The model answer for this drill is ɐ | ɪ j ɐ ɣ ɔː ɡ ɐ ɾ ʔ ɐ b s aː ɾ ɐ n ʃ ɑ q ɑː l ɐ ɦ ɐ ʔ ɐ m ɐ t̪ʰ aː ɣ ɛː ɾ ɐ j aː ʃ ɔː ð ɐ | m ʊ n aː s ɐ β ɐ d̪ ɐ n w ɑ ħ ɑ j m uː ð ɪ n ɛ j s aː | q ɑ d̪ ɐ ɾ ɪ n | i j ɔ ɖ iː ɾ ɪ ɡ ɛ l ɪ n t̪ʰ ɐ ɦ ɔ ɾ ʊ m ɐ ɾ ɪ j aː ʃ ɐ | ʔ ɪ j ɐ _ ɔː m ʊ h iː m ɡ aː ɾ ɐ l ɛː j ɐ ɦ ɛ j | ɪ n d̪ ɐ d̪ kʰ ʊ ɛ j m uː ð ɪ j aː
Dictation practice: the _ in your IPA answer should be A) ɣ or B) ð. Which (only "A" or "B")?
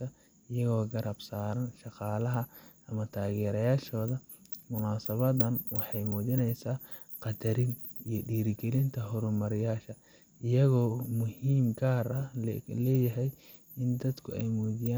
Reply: A